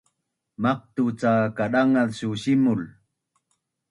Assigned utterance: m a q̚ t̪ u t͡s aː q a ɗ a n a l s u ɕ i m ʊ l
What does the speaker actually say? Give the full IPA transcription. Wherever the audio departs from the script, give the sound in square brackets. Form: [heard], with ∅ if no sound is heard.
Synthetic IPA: m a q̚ t̪ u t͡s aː [k] a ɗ a [ŋ] a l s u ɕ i m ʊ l